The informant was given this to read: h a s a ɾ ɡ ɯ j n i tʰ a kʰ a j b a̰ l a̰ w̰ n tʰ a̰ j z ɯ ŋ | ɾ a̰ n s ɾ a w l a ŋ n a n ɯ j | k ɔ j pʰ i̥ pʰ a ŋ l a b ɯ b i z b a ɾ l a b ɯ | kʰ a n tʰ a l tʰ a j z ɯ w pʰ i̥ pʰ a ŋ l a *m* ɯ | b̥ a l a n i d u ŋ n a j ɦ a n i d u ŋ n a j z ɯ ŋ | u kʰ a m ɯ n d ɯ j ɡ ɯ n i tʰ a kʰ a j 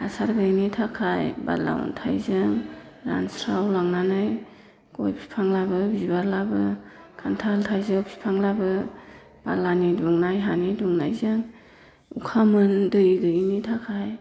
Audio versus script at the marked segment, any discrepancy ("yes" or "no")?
yes